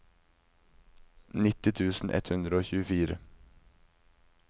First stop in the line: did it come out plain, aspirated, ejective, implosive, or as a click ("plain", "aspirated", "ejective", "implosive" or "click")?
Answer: plain